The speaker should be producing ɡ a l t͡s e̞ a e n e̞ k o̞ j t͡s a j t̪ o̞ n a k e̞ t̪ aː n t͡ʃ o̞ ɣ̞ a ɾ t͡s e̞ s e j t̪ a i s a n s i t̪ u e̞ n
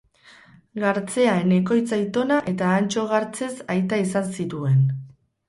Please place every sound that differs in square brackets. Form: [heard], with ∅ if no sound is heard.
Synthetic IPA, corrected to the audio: ɡ a [ɾ] t͡s e̞ a e n e̞ k o̞ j t͡s a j t̪ o̞ n a [ʔ] e̞ t̪ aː n t͡ʃ o̞ ɣ̞ a ɾ t͡s e̞ s [a] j t̪ a i s a n s i t̪ u e̞ n

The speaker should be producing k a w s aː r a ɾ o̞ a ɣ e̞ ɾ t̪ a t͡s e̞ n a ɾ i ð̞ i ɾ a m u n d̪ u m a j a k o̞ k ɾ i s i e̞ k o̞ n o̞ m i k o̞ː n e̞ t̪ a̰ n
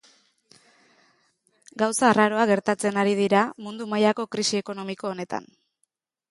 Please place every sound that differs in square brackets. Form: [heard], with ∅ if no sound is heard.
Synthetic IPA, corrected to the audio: [ɡ] a w s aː r a ɾ o̞ a ɣ e̞ ɾ t̪ a t͡s e̞ n a ɾ i ð̞ i ɾ a m u n d̪ u m a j a k o̞ k ɾ i s i e̞ k o̞ n o̞ m i k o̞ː n e̞ t̪ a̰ n

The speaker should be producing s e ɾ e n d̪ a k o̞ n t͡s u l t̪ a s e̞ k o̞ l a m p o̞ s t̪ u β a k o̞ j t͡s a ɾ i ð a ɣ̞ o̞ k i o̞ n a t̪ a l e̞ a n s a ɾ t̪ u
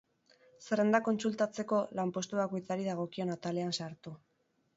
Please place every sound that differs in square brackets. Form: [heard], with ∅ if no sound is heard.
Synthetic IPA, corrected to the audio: s e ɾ e n d̪ a k o̞ n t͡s u l t̪ a [t͡s] e̞ k o̞ l a m p o̞ s t̪ u β a k o̞ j t͡s a ɾ i ð a ɣ̞ o̞ k i o̞ n a t̪ a l e̞ a n s a ɾ t̪ u

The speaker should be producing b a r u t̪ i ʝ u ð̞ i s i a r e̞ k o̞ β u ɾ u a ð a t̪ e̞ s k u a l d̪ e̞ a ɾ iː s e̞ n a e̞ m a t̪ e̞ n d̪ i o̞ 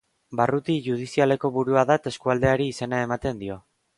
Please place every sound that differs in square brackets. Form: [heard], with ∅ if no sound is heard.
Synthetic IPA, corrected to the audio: b a r u t̪ i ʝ u ð̞ i s i a [l] e̞ k o̞ β u ɾ u a ð a t̪ e̞ s k u a l d̪ e̞ a ɾ iː s e̞ n a e̞ m a t̪ e̞ n d̪ i o̞

